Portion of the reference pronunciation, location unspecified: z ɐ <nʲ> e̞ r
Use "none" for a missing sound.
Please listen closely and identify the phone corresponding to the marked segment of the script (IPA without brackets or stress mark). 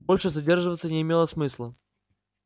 dʲ